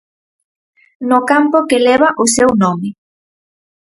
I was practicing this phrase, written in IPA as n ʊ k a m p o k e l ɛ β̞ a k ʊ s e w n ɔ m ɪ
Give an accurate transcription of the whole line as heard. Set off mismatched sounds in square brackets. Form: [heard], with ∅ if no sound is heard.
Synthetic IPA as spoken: n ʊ k a m p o k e l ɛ β̞ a [ʔ] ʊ s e w n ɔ m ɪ